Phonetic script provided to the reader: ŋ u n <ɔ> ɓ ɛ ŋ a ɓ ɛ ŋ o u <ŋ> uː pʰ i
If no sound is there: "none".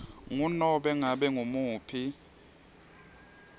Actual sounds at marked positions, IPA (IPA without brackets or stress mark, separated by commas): ɔ, m